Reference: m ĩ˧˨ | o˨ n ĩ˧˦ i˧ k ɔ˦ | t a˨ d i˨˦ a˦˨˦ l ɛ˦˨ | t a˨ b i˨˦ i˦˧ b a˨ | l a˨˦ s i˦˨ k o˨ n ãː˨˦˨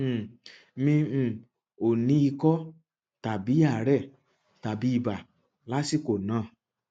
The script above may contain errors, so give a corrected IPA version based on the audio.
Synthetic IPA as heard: m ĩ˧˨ | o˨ n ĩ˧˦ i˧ k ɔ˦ | t a˨ b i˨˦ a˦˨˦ ɾ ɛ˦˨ | t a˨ b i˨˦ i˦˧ b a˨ | l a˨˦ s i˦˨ k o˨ n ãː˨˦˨

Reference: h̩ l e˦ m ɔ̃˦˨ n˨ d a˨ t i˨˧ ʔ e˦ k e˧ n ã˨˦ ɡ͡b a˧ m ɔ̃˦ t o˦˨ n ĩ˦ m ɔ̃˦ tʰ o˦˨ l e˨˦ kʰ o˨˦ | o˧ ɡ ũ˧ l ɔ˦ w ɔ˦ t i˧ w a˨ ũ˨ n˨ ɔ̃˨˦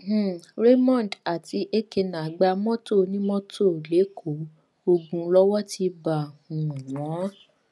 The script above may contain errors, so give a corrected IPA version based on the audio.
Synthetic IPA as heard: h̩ ɾ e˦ m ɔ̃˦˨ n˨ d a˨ t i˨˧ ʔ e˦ k e˧ n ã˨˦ ɡ͡b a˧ m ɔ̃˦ t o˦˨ n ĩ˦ m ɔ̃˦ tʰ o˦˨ l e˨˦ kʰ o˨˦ | o˧ ɡ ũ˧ l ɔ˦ w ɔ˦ t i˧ b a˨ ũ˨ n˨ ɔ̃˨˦

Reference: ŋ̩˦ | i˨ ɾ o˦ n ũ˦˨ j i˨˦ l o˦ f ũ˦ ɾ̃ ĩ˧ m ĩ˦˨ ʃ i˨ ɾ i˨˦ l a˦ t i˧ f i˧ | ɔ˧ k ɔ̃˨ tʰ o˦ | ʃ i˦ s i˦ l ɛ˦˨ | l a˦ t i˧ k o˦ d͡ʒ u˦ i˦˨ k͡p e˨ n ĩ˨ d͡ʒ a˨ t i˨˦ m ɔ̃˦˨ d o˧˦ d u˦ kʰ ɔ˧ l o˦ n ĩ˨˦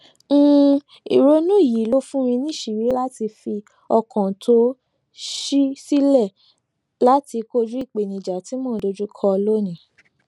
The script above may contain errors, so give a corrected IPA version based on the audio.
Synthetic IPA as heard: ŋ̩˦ | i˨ ɾ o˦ n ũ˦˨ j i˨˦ l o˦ f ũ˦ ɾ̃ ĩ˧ n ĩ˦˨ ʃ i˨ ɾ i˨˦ l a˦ t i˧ f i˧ | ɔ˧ k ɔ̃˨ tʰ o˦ | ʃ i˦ s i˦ l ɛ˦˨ | l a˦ t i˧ k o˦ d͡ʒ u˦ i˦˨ k͡p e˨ n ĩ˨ d͡ʒ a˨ t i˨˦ m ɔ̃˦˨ d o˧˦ d͡ʒ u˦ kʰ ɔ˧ l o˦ n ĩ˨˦

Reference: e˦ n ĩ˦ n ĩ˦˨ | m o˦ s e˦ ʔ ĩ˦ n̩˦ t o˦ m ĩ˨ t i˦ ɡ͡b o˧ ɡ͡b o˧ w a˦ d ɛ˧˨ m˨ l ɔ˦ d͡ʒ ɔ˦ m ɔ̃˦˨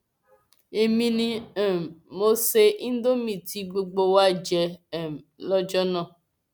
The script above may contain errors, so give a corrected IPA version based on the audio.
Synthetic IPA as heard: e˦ m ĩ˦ n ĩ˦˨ | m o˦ s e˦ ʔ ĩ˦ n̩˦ d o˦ m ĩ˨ t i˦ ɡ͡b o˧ ɡ͡b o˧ w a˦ d͡ʒ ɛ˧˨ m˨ l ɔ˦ d͡ʒ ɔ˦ n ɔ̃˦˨

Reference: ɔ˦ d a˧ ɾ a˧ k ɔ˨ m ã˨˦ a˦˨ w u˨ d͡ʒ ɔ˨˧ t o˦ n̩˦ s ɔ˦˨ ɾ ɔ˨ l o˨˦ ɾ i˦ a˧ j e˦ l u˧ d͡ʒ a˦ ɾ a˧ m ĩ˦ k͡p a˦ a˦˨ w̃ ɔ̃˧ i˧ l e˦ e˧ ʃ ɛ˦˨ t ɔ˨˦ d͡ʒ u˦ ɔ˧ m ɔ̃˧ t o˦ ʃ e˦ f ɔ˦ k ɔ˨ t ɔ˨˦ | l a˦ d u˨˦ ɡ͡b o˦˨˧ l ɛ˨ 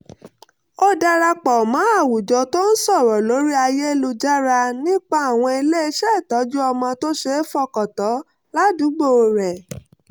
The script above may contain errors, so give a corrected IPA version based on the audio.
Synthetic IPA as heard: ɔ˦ d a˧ ɾ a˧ k͡p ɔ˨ m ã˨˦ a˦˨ w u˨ d͡ʒ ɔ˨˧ t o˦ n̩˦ s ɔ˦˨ ɾ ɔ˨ l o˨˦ ɾ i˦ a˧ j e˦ l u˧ d͡ʒ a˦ ɾ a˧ n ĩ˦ k͡p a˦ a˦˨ w̃ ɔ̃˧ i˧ l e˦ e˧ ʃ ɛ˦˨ t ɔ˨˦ d͡ʒ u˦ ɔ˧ m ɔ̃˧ t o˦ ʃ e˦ f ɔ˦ k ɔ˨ t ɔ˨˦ | l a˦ d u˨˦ ɡ͡b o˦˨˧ ɾ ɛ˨

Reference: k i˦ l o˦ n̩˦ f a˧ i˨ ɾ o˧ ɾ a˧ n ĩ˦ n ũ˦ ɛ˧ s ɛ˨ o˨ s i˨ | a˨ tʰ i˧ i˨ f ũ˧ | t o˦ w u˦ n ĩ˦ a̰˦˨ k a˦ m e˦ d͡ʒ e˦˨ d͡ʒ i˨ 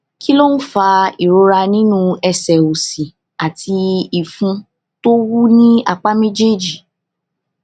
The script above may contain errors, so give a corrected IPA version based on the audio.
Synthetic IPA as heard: k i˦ l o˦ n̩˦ f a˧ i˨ ɾ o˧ ɾ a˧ n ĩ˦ n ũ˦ ɛ˧ s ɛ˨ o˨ s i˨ | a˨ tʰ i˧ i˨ f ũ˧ | t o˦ w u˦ n ĩ˦ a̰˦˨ k͡p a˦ m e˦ d͡ʒ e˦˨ d͡ʒ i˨

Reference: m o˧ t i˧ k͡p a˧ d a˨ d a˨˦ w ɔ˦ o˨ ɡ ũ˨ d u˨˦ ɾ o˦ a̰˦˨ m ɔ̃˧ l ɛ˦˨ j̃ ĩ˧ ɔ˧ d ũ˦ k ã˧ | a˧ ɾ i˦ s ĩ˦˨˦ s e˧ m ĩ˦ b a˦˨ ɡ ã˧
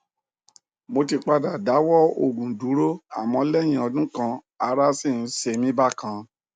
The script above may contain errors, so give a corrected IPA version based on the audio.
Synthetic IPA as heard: m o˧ t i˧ k͡p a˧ d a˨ d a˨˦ w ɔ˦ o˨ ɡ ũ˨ d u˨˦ ɾ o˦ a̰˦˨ m ɔ̃˧ l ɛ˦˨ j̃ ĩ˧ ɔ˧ d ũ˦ k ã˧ | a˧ ɾ a˦ s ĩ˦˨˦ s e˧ m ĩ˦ b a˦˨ k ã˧

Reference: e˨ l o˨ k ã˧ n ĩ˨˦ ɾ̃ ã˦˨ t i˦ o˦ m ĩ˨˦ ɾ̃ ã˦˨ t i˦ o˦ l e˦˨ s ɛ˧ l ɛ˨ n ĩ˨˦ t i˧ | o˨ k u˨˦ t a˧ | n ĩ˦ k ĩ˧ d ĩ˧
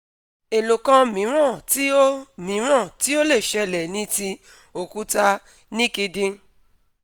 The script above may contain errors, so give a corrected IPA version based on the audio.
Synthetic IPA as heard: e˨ l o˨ k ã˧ m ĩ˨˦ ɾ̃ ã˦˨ t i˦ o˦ m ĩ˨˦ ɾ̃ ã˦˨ t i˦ o˦ l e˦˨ ʃ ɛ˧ l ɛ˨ n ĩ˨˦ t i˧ | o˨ k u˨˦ t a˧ | n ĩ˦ k i˧ d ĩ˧

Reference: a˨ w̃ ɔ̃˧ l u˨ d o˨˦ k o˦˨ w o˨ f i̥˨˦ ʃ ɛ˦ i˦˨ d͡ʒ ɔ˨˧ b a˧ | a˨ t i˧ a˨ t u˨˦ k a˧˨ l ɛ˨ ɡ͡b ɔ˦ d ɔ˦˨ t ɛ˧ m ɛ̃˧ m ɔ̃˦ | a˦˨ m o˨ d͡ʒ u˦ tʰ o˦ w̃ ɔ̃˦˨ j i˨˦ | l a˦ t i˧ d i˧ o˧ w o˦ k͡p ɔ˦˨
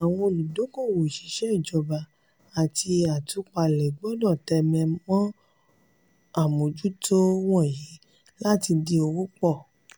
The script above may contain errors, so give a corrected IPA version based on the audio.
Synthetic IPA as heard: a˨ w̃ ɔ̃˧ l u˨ d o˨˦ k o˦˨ w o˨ ʃ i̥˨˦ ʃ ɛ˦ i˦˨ d͡ʒ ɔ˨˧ b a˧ | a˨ t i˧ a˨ t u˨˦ k͡p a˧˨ l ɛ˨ ɡ͡b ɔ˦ d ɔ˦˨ t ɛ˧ m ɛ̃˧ m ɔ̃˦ | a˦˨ m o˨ d͡ʒ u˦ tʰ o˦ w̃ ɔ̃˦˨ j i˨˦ | l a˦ t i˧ d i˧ o˧ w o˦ k͡p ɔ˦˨

